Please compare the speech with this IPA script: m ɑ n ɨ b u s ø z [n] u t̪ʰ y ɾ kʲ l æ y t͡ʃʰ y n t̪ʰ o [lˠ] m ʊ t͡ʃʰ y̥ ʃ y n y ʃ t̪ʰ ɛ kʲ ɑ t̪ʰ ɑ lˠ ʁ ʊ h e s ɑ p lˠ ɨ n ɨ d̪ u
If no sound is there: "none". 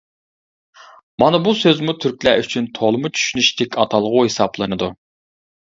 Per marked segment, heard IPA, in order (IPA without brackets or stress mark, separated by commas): m, lˠ